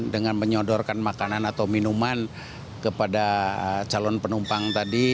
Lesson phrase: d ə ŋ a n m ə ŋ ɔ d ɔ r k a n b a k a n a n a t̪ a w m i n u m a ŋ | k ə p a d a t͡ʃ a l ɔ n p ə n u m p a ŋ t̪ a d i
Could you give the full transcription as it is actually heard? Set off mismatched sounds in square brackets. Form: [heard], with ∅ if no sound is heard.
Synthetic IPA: d ə ŋ a n m ə [ɲ] ɔ d ɔ r k a n [m] a k a n a n a t̪ a w m i n u m a [n] | k ə p a d a t͡ʃ a l ɔ n p ə n u m p a ŋ t̪ a d i